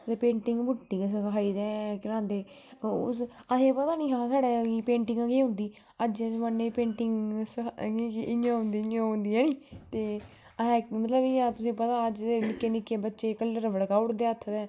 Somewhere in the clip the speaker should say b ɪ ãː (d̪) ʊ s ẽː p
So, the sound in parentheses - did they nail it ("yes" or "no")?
no